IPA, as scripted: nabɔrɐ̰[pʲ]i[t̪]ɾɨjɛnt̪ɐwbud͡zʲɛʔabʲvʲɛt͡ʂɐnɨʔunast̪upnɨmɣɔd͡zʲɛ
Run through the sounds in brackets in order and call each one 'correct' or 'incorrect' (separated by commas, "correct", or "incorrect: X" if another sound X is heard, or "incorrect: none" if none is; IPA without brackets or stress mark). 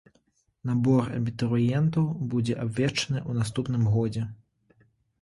incorrect: bʲ, correct